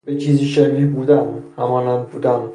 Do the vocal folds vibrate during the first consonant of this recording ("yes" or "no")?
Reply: yes